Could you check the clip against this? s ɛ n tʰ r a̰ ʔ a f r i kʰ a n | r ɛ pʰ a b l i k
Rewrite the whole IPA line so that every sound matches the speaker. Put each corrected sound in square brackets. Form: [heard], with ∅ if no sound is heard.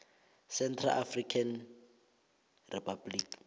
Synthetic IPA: s ɛ n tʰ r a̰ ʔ a f r i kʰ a n | r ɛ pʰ a b l i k